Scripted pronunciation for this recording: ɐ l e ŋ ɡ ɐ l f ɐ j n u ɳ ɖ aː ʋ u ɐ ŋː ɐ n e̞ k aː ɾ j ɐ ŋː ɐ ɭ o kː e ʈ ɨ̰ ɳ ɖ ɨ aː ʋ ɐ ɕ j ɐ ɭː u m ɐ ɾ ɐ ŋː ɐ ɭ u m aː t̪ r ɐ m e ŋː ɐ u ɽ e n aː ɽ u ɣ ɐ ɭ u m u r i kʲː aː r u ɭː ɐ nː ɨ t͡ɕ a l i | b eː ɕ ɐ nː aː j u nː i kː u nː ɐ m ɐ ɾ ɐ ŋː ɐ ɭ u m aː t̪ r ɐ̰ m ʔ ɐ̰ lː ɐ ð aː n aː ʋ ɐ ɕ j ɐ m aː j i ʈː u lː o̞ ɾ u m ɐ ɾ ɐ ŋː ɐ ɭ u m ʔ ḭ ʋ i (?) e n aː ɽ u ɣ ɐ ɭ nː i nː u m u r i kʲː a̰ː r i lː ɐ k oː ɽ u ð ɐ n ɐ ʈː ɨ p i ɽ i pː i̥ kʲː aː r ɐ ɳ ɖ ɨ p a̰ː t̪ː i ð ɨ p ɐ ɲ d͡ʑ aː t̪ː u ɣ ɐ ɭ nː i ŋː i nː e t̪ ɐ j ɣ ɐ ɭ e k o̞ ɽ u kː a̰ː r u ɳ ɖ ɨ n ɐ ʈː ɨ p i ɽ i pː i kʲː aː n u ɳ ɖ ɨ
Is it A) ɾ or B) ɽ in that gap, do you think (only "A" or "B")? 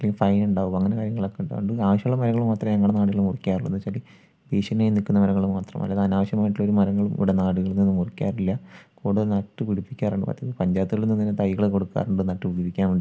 B